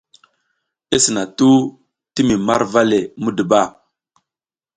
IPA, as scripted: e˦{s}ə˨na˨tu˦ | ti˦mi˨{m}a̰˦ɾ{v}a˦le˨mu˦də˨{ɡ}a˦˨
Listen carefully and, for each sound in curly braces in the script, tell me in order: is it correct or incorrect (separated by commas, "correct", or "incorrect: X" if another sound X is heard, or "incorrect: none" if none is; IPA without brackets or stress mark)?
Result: correct, correct, correct, incorrect: b